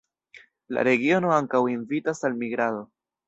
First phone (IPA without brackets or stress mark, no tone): l